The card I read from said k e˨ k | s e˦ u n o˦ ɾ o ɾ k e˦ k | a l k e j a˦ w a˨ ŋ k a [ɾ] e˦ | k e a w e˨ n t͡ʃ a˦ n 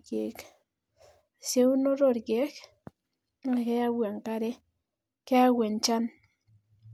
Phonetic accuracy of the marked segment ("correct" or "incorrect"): correct